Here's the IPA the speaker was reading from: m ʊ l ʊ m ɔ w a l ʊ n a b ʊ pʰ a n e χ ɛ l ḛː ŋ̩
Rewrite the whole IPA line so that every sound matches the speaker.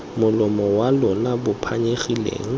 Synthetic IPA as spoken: m ʊ l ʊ m ɔ w a l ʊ n a b ʊ pʰ a ɲ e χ i l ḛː ŋ̩